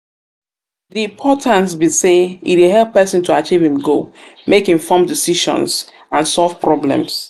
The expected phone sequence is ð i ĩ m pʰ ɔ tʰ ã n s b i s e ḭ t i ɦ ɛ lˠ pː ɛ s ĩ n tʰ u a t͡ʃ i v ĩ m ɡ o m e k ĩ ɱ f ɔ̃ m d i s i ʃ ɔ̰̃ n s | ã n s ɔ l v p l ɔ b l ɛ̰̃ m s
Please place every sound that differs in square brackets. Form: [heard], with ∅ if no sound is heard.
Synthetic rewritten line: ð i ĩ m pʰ ɔ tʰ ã n s b i s e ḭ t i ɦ ɛ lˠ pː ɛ s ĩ n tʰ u a t͡ʃ i v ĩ m ɡ o m e k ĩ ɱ f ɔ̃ m d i s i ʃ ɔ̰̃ n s | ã n s ɔ l v p [ɹ] ɔ b l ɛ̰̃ m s

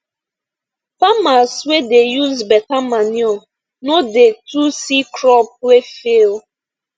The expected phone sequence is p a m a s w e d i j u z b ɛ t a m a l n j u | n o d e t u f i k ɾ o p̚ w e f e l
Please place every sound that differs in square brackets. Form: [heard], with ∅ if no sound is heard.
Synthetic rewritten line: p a m a s w e d [e] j u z b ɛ t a m a [∅] n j [ɔ] | n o d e t u [s] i k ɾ [ɔ] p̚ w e f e l

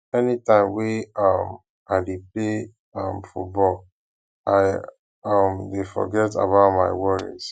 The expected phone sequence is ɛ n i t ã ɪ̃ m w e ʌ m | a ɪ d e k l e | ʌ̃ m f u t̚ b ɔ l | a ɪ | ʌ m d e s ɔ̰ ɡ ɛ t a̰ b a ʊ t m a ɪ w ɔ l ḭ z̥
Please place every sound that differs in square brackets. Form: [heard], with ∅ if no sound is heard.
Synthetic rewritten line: ɛ n i t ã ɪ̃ m w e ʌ m | a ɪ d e [p] l e | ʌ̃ m f u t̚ b ɔ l | a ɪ | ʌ m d e [f] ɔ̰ ɡ ɛ t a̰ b a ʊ t m a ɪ w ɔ [ɹ] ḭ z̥

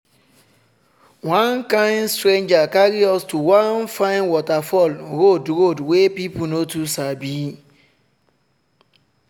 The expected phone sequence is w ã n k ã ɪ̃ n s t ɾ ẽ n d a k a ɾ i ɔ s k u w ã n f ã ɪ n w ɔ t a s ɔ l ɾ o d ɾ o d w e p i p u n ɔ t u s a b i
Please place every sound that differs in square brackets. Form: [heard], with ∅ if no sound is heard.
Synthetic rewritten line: w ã n k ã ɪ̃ n s t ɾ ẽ n [d͡ʒ] a k a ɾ i ɔ s [t] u w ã n f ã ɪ n w ɔ t a [f] ɔ l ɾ o d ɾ o d w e p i p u n [o] t u s a b i

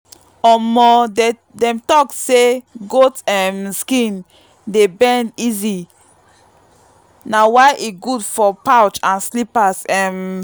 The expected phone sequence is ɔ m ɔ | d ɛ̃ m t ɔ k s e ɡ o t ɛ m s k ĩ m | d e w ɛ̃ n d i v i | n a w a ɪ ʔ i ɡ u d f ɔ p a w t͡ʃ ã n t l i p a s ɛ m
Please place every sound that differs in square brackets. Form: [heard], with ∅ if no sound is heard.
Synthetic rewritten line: ɔ m ɔ | d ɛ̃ m t ɔ k s e ɡ o t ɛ m s k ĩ [n] | d e [b] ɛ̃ n d i [z] i | n a w a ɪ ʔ i ɡ u d f ɔ p a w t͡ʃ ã n [s] l i p a s ɛ m

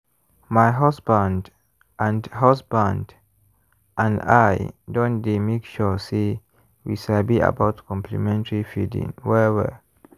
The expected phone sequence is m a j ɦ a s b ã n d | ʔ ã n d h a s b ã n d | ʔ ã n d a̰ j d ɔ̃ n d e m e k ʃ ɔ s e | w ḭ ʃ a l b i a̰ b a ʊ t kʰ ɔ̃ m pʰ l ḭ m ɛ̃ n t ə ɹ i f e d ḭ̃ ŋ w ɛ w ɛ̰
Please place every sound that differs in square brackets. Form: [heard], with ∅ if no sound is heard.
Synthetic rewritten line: m a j ɦ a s b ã n d | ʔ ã n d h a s b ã n d | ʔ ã n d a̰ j d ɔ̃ n d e m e k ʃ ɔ s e | w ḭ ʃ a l b i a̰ b a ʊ t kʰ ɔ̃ m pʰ l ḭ m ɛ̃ n t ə ɹ i f [i] d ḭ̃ ŋ w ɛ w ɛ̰

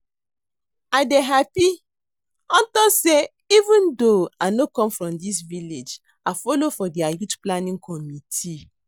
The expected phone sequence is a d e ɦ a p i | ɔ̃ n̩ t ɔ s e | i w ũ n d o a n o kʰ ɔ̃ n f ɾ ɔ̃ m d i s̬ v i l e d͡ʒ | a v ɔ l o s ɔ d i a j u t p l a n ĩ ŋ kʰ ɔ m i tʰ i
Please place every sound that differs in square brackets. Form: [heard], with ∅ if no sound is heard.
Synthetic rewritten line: a d e ɦ a p i | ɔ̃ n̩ t ɔ s e | i [v] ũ n d o a n o [k] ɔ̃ [m] f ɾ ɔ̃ m d i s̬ v i l e d͡ʒ | a [f] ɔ l o [f] ɔ d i a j u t p l a n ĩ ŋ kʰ ɔ m i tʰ i

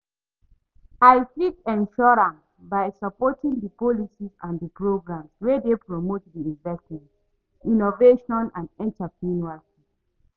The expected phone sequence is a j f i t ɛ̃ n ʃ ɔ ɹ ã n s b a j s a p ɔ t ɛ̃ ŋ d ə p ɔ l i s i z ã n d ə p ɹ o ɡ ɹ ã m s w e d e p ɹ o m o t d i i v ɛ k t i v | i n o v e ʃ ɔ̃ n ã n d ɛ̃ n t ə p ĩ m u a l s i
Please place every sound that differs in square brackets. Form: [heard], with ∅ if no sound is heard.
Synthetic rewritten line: a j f i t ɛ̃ n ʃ ɔ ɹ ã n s b a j s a p ɔ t [ĩ] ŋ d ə p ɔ l i s i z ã n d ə p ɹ o ɡ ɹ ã m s w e d e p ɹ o m o t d i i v ɛ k t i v | i n o v e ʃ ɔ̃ n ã n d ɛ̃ n t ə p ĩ [n] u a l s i

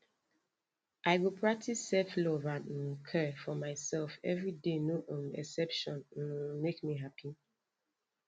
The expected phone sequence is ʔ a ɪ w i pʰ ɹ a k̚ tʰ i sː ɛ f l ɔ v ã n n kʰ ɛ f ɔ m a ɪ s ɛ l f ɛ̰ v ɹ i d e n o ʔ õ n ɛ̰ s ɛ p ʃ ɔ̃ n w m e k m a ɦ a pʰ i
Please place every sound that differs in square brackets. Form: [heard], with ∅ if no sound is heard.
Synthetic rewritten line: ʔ a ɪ w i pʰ ɹ a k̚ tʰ i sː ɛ f l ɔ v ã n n kʰ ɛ f ɔ m a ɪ s ɛ l f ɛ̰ v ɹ i d e n o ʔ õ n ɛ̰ s ɛ p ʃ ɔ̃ n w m e k m [i] ɦ a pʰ i

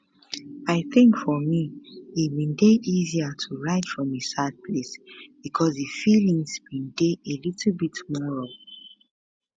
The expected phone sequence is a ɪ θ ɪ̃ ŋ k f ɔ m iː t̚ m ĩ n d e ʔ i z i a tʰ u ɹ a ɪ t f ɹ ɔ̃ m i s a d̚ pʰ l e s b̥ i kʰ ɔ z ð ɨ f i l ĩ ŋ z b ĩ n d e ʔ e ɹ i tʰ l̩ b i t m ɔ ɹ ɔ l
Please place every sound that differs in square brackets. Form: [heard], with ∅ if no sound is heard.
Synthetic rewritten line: a ɪ θ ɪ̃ ŋ k f ɔ m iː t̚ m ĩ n d e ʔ i z i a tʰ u ɹ a ɪ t f ɹ ɔ̃ m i s a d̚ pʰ l e s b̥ i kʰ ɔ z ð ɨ f i l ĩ ŋ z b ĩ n d e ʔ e [l] i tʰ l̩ b i t m ɔ ɹ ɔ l

